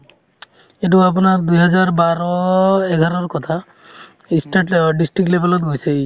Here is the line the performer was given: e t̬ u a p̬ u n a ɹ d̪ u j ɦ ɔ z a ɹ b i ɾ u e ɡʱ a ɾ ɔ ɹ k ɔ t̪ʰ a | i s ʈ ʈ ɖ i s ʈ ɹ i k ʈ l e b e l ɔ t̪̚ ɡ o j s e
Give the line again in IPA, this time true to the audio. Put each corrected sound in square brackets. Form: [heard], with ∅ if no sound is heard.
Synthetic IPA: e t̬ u a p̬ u n a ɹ d̪ u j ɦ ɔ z a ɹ b [a] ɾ [ɔ] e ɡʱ a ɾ ɔ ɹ k ɔ t̪ʰ a | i s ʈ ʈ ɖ i s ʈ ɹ i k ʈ l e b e l ɔ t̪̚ ɡ o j s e